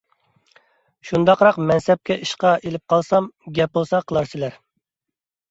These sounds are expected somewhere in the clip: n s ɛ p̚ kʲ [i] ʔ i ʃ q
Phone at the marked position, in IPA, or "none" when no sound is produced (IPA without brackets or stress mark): ɛ